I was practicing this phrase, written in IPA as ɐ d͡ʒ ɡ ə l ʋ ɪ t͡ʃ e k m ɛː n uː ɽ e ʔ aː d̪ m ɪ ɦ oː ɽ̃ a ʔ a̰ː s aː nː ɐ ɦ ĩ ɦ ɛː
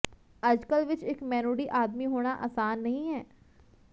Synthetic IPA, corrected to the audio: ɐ d͡ʒ k ə l ʋ ɪ t͡ʃ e k m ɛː n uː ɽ i ʔ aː d̪ m i ɦ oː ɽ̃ a ʔ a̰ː s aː nː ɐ ɦ ĩ ɦ ɛː